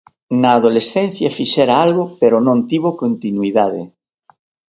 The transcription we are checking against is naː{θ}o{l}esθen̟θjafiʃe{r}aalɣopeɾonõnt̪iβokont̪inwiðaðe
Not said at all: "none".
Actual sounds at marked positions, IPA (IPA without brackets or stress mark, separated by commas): ð, l, ɾ